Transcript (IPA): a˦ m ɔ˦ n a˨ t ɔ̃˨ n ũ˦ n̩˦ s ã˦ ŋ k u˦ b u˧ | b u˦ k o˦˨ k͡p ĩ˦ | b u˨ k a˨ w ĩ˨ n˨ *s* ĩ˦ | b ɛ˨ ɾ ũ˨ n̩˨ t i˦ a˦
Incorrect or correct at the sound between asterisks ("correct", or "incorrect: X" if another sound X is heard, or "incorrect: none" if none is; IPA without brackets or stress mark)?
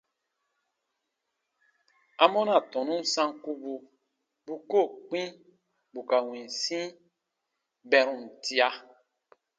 correct